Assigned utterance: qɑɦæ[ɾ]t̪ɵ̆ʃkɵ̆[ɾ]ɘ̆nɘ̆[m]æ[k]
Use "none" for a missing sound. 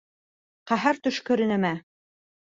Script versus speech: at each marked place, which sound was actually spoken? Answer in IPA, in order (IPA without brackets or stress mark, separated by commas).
ɾ, ɾ, m, none